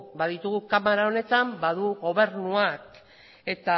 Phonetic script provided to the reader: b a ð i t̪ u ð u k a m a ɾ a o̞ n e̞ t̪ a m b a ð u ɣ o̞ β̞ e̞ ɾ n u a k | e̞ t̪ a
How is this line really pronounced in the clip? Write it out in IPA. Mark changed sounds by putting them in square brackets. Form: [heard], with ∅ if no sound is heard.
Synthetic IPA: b a ð i t̪ u [ɣ] u k a m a ɾ a o̞ n e̞ t̪ a m b a ð u ɣ o̞ β̞ e̞ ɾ n u a k | e̞ t̪ a